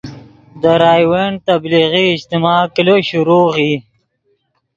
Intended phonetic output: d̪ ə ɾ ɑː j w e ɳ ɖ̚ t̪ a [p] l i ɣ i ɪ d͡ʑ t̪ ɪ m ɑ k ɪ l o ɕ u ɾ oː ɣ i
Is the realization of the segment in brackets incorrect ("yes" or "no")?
yes